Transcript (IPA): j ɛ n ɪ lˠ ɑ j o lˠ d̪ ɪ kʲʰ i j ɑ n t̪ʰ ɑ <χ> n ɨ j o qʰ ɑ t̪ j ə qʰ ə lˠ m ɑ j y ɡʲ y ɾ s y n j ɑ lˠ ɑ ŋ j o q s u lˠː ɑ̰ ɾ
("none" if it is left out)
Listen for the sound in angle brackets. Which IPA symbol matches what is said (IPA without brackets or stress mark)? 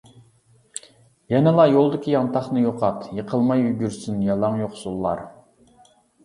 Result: χ